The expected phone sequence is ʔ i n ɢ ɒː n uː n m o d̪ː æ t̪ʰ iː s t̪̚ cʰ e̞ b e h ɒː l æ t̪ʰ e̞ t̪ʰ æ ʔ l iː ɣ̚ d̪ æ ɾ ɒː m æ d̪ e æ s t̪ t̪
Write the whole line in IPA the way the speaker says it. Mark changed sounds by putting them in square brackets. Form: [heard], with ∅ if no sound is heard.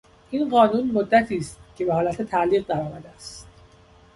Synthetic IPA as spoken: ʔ i n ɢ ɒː n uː n m o d̪ː æ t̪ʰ iː s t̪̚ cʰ e̞ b e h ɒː l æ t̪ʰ e̞ t̪ʰ æ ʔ l iː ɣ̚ d̪ æ ɾ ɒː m æ d̪ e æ s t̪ t̪